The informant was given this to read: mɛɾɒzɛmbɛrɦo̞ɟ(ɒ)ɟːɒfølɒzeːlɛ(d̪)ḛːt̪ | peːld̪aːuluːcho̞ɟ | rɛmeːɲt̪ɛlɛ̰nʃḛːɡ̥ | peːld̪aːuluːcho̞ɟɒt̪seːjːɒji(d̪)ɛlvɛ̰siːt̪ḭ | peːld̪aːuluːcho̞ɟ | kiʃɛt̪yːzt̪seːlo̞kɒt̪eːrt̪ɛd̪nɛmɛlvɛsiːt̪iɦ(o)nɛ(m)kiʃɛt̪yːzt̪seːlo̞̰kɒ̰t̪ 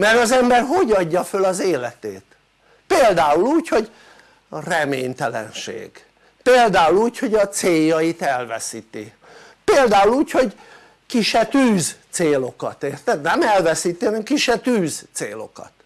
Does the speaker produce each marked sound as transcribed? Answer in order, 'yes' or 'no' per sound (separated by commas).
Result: yes, no, no, no, yes